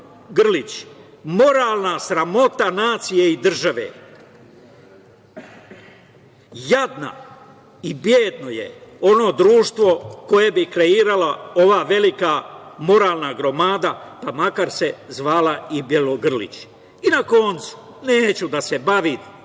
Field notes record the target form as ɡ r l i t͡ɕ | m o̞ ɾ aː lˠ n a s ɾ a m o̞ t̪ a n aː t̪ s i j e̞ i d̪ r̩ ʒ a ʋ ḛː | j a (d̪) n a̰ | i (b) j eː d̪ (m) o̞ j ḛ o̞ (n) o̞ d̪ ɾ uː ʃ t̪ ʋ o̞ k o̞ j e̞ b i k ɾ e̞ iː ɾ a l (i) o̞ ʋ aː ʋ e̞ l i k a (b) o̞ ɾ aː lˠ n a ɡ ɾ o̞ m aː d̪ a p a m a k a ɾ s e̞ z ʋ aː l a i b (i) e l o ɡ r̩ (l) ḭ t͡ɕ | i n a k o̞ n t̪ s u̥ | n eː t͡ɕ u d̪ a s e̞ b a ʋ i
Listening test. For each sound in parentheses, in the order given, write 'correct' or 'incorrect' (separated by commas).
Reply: correct, correct, incorrect, correct, incorrect, incorrect, incorrect, correct